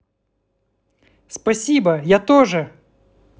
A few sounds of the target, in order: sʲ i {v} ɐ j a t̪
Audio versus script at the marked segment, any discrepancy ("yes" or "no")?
yes